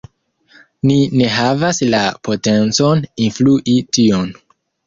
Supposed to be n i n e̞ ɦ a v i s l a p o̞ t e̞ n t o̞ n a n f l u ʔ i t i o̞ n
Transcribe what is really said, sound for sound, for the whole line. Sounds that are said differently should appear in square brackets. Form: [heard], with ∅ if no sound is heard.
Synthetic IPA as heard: n i n e̞ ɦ a v [a] s l a p o̞ t e̞ n [t͡s] o̞ n [i] n f l u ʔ i t i o̞ n